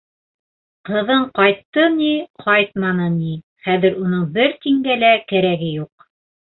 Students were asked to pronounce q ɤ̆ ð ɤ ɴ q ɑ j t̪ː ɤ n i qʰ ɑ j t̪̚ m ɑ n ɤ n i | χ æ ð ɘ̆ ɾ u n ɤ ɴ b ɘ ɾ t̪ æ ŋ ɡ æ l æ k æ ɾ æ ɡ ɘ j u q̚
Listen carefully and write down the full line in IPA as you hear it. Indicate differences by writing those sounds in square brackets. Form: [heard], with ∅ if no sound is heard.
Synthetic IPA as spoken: q ɤ̆ ð ɤ ɴ q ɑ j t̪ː ɤ n i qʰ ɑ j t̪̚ m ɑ n ɤ n i | χ æ ð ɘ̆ ɾ u n ɤ ɴ b ɘ ɾ t̪ [i] ŋ ɡ æ l æ k æ ɾ æ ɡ ɘ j u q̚